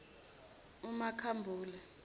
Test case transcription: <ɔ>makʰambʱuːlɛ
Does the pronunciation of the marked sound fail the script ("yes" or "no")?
yes